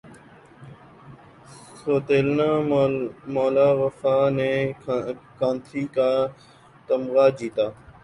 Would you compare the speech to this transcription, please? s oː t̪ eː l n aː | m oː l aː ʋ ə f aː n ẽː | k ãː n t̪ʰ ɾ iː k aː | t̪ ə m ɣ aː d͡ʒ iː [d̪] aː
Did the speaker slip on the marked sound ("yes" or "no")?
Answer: yes